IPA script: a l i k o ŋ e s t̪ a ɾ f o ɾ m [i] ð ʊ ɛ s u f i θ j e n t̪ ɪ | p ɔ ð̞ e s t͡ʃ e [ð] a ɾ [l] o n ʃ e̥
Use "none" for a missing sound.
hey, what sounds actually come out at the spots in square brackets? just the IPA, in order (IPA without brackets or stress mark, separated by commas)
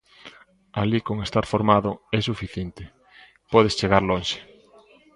a, ɣ, l